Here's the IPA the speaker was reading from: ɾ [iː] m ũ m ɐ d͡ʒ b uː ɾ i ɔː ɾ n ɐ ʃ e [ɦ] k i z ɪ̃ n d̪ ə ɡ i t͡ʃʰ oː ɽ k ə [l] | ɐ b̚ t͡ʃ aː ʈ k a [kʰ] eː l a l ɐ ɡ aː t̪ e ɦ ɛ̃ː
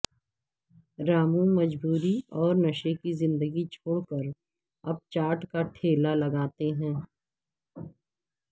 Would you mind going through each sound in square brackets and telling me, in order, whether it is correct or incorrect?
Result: incorrect: aː, incorrect: none, incorrect: ɾ, incorrect: ʈʰ

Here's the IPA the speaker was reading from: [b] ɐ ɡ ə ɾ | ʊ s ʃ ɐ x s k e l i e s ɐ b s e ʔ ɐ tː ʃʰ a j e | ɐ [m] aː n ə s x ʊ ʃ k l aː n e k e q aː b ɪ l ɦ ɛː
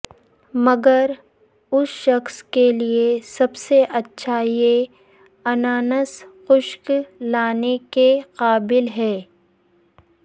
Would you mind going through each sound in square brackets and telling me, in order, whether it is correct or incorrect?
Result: incorrect: m, incorrect: n

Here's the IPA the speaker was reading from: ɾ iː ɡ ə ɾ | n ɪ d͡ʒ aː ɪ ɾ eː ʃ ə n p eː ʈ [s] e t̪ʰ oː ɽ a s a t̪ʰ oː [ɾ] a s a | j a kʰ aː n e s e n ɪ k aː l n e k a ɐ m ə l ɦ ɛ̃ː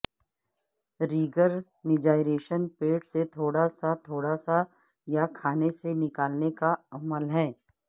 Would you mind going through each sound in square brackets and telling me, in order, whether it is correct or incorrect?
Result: correct, incorrect: ɽ

